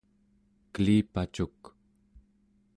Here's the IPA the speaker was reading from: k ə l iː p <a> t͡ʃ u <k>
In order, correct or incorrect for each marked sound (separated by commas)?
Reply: correct, correct